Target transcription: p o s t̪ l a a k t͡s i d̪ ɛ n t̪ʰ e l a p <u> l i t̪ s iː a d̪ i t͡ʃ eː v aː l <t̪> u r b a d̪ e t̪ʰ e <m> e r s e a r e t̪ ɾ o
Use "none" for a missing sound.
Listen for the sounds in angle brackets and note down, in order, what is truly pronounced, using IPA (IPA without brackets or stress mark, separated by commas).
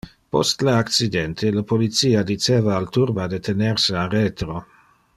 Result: o, t̪, n